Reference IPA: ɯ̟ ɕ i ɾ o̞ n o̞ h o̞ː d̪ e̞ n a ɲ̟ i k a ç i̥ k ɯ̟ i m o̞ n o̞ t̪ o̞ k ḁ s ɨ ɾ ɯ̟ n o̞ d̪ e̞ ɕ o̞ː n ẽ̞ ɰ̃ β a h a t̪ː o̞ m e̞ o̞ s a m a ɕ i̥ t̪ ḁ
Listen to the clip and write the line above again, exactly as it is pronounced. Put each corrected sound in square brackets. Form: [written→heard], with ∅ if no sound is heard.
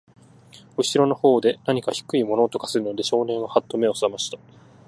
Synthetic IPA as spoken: ɯ̟ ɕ i ɾ o̞ n o̞ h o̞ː d̪ e̞ n a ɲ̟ i k a ç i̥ k ɯ̟ i m o̞ n o̞ t̪ o̞ k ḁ s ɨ ɾ ɯ̟ n o̞ d̪ e̞ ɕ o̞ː n ẽ̞ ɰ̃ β a h a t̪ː o̞ m e̞ o̞ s a m a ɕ i̥ t̪ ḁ